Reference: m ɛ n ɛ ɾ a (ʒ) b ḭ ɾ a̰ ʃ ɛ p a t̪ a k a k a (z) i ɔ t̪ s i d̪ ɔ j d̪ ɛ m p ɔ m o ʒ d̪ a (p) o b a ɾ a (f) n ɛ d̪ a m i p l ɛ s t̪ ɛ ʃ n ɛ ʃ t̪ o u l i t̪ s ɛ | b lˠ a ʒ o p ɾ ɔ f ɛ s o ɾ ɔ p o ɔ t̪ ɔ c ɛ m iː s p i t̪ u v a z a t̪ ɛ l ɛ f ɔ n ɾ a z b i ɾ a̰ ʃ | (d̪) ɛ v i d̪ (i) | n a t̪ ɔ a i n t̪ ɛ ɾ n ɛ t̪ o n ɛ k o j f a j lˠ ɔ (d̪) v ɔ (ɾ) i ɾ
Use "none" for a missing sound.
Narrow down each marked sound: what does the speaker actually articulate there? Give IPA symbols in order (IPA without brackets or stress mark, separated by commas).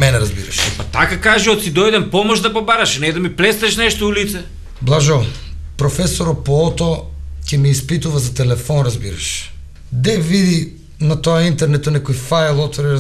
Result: z, ʒ, p, ʃ, d̪, i, t̪, ɾ